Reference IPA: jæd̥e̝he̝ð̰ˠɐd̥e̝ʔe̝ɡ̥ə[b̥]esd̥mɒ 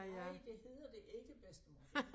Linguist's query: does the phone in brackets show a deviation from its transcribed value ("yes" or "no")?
no